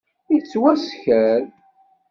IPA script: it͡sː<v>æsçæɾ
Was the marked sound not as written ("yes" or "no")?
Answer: yes